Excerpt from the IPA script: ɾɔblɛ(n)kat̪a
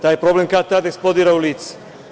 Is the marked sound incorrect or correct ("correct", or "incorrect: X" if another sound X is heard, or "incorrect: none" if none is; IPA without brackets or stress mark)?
incorrect: m